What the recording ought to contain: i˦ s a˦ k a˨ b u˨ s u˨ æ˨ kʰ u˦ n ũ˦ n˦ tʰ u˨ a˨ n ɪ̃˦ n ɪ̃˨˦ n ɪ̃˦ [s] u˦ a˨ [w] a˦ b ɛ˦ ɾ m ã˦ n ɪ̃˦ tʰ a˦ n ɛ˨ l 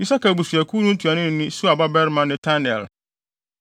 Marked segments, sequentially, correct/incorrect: correct, incorrect: b

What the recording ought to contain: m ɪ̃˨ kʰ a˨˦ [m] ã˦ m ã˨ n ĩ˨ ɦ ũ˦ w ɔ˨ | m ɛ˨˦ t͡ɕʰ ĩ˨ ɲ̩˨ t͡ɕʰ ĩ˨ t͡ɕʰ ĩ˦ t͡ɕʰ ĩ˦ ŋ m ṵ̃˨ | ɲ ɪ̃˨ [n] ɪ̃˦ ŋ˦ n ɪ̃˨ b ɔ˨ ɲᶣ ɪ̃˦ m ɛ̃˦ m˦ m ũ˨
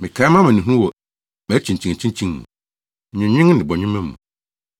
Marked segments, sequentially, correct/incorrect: correct, incorrect: ɲ

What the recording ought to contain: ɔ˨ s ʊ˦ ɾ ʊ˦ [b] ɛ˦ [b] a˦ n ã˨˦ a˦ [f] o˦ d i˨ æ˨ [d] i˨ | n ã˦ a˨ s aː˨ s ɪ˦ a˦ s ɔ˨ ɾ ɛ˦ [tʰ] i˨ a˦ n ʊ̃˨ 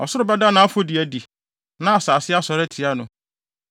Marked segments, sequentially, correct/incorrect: correct, incorrect: d, correct, correct, correct

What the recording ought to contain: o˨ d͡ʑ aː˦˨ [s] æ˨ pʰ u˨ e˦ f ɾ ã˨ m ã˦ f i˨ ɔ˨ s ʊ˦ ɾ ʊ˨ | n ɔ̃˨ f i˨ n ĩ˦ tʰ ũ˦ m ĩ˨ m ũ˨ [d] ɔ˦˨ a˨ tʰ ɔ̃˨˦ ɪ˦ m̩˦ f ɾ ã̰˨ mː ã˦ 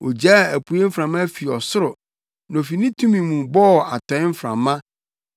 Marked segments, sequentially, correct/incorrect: incorrect: none, incorrect: b

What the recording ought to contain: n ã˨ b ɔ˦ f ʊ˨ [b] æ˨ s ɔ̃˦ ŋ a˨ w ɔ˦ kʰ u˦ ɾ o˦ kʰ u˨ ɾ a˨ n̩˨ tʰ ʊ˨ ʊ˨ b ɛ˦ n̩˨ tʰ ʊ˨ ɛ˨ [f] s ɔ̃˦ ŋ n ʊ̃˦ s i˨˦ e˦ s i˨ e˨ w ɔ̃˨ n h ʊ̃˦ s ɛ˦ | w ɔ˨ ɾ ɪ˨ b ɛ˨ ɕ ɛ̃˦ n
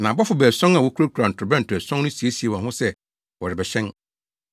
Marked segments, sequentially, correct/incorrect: correct, incorrect: none

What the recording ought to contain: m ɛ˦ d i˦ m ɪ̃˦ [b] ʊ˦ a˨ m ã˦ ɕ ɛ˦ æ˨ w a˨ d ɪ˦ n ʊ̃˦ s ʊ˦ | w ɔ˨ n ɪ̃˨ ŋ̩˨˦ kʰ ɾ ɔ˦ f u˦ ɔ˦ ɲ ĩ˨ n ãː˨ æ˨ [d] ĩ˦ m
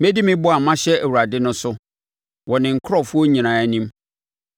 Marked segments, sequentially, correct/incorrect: correct, incorrect: n

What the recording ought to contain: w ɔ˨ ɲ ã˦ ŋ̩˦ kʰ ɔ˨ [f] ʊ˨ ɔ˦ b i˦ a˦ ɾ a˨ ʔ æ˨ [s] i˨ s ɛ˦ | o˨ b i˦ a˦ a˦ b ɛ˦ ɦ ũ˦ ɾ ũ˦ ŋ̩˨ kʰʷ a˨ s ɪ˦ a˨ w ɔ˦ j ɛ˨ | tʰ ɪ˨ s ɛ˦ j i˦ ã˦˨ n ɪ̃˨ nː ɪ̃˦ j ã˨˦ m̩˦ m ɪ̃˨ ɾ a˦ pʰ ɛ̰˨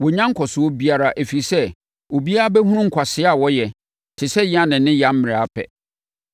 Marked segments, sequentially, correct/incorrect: incorrect: s, incorrect: f

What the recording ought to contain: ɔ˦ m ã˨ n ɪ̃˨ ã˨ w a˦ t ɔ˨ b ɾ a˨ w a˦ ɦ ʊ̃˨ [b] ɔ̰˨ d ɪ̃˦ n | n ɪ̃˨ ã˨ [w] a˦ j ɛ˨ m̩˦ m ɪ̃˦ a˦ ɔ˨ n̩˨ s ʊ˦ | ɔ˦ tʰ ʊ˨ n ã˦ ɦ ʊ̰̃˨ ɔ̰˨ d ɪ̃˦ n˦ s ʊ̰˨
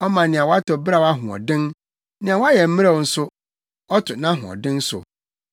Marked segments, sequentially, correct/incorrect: incorrect: none, correct

